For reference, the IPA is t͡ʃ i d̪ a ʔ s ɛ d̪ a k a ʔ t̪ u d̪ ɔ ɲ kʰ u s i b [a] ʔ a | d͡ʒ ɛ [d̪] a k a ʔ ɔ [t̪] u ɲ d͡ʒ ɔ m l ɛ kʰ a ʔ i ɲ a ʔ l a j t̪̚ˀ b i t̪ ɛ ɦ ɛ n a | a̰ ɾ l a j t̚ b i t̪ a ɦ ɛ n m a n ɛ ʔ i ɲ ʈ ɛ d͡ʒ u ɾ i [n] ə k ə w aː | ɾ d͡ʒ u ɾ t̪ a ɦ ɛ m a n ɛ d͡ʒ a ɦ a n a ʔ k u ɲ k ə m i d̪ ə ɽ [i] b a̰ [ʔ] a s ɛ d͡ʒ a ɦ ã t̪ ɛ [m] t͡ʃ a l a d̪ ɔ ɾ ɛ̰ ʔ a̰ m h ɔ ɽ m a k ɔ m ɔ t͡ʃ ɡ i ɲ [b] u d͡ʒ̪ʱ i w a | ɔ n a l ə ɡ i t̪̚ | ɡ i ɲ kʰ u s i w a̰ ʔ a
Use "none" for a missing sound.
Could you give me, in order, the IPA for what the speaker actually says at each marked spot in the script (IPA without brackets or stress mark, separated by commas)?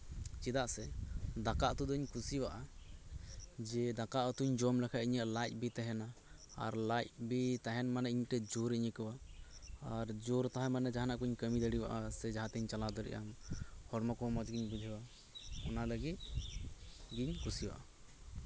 a, d̪, t̪, ɲ, i, ʔ, ɲ, b